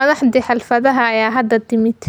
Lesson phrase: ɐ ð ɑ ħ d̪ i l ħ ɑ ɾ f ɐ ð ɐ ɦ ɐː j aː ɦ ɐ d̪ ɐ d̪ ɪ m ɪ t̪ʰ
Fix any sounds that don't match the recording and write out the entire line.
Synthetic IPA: ɐ ð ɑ ħ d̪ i ħ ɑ l f ɐ ð ɐ ɦ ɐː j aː ɦ ɐ d̪ ɐ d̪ ɪ m ɪ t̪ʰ